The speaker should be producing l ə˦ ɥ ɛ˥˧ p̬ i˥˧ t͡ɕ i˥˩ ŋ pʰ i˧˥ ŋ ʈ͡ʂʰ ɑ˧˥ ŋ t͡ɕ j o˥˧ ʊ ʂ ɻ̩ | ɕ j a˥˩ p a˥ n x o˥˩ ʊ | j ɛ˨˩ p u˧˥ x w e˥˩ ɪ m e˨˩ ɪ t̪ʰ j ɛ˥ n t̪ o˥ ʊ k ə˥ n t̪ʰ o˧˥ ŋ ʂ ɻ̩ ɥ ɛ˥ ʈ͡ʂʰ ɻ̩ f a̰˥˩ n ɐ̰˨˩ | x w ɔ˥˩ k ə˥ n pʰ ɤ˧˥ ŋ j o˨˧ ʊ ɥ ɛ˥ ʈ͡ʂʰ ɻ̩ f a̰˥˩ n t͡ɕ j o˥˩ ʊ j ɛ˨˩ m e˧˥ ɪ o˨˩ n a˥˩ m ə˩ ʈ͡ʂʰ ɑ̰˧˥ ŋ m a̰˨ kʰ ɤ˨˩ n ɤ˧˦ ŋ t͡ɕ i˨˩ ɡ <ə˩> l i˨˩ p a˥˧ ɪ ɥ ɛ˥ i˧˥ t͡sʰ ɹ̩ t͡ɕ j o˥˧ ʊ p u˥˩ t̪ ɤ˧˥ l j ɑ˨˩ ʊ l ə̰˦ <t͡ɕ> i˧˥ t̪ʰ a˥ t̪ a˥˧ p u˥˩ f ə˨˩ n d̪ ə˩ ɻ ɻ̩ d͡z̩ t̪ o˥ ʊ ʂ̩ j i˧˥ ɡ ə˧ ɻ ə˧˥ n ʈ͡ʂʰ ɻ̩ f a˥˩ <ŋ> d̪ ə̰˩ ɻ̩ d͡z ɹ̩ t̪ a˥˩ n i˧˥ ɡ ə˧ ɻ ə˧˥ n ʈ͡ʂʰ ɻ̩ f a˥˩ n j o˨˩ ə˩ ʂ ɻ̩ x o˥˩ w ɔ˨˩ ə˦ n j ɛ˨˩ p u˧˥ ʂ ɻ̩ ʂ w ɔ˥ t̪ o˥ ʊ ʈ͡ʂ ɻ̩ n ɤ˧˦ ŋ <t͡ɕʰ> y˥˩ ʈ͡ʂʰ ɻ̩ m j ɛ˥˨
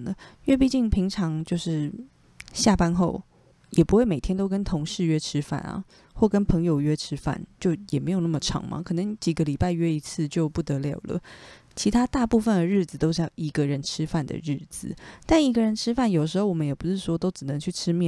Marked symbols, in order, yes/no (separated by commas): no, no, no, yes